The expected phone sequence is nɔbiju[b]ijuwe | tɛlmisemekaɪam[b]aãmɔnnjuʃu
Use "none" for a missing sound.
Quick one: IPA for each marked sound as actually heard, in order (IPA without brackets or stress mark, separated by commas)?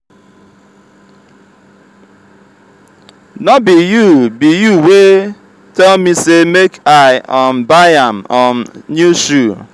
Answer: b, b